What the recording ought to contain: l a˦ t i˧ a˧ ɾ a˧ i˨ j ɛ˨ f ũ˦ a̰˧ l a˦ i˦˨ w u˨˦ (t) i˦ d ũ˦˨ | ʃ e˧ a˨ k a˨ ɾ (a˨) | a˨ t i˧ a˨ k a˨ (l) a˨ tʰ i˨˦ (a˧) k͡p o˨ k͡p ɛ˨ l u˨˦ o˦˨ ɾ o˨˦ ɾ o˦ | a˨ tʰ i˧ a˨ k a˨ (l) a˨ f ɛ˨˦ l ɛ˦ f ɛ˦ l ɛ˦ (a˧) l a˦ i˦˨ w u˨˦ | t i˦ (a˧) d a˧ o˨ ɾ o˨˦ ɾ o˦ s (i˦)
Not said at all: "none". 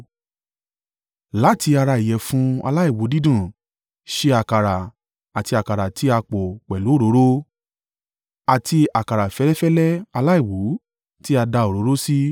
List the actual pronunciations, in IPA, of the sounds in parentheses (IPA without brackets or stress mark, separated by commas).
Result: d, a˨, ɾ, a˧, ɾ, a˧, a˧, i˦